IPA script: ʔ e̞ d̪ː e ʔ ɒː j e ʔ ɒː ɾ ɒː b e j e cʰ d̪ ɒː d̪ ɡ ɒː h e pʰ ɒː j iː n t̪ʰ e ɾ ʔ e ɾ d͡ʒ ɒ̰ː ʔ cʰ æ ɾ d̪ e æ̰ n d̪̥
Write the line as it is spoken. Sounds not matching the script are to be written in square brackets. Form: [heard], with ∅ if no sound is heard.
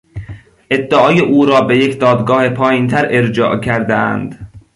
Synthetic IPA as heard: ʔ e̞ d̪ː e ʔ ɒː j e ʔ [uː] ɾ ɒː b e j e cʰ d̪ ɒː d̪ ɡ ɒː h e pʰ ɒː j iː n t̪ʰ [æ] ɾ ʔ e ɾ d͡ʒ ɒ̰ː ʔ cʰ æ ɾ d̪ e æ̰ n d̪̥